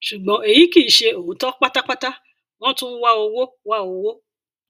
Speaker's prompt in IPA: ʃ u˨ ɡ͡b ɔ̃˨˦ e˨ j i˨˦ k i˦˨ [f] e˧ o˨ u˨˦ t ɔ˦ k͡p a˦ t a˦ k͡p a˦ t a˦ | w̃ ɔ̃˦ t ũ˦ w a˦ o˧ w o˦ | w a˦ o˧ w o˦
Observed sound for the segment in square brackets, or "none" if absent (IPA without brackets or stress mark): ʃ